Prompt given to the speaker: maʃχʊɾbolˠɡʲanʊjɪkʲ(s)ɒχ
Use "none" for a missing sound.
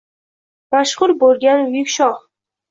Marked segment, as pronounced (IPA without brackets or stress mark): ʃ